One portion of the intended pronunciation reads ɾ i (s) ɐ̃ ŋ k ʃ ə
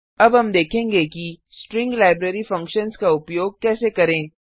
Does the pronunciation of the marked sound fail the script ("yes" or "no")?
yes